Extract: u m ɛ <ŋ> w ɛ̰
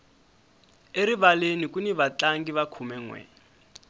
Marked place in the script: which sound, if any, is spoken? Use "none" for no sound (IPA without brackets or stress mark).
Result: ŋ